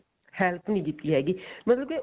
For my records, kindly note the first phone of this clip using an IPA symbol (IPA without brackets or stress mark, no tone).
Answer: h